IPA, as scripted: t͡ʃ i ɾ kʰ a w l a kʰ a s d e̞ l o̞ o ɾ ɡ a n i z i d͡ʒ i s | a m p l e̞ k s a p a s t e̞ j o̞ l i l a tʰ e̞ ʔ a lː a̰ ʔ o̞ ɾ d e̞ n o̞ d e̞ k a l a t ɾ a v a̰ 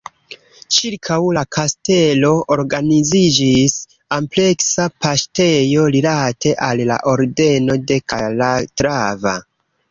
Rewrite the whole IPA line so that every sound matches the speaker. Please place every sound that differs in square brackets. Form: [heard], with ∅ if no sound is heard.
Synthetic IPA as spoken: t͡ʃ i ɾ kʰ a w l a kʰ a s [t] e̞ l o̞ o ɾ ɡ a n i z i d͡ʒ i s | a m p l e̞ k s a p a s t e̞ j o̞ l i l a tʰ e̞ ʔ a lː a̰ ʔ o̞ ɾ d e̞ n o̞ d e̞ k a l a t ɾ a v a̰